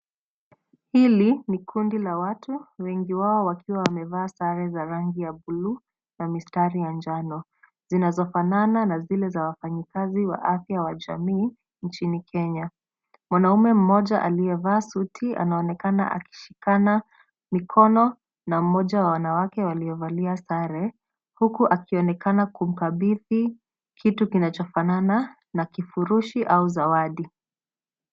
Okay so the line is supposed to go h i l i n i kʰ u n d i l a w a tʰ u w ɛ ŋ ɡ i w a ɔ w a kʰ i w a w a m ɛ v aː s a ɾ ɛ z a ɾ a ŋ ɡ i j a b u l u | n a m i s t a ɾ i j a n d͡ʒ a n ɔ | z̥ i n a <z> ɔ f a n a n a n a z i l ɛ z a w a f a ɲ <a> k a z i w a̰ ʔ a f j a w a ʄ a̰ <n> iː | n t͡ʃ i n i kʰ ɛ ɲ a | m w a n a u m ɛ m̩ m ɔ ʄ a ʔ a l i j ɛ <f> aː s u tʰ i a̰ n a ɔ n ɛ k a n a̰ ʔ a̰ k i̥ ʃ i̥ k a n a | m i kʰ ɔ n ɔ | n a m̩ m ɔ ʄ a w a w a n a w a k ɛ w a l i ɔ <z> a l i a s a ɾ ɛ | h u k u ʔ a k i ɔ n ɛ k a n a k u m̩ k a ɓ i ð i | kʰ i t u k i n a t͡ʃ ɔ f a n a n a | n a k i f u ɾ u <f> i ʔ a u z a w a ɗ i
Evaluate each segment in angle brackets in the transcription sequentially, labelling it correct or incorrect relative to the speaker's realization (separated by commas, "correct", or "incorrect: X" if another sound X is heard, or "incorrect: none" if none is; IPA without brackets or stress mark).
correct, incorrect: i, incorrect: m, incorrect: v, incorrect: v, incorrect: ʃ